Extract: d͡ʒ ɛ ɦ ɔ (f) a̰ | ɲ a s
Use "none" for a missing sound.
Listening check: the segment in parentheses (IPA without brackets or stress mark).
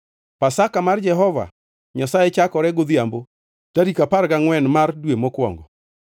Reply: v